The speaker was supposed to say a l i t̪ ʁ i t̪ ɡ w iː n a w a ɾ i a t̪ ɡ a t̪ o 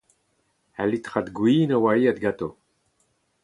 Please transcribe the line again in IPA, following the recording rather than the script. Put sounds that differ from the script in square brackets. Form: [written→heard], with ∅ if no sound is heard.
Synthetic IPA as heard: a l i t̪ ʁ [i→a] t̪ ɡ w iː n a w a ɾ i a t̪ ɡ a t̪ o